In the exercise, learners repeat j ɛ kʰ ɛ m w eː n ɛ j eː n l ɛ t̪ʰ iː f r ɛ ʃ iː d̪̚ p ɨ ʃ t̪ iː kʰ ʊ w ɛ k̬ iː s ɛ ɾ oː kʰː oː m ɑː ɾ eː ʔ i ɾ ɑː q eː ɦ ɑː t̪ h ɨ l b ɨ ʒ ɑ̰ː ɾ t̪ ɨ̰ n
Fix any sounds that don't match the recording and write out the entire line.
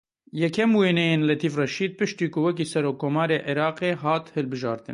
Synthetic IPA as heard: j ɛ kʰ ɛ m w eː n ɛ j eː n l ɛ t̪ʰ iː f r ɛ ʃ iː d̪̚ p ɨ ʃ t̪ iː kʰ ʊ w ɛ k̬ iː s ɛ ɾ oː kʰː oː m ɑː ɾ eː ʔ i ɾ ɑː q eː ɦ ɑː t̪ h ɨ l b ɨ ʒ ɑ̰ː ɾ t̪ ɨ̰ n